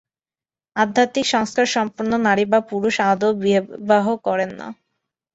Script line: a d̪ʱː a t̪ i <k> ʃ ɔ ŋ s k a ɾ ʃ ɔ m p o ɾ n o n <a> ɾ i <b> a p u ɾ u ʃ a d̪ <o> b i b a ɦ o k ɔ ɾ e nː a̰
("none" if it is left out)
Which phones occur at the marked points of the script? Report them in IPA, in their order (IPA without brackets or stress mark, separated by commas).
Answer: k, a, b, o